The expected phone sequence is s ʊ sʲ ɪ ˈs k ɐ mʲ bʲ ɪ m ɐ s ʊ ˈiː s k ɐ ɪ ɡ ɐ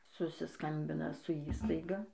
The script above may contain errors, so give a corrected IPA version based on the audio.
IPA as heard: s ʊ sʲ ɪ ˈs k ɐ mʲ bʲ ɪ n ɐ s ʊ ˈiː s t ɐ ɪ ɡ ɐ